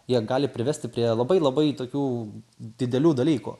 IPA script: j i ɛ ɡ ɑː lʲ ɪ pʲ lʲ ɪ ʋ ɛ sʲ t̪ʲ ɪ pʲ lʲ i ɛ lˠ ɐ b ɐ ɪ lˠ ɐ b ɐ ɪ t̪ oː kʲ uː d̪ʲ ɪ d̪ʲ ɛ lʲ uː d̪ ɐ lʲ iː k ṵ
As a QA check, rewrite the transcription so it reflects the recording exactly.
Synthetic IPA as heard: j i ɛ ɡ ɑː lʲ ɪ pʲ ɾʲ ɪ ʋ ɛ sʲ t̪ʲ ɪ pʲ ɾʲ i ɛ lˠ ɐ b ɐ ɪ lˠ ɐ b ɐ ɪ t̪ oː kʲ uː d̪ʲ ɪ d̪ʲ ɛ lʲ uː d̪ ɐ lʲ iː k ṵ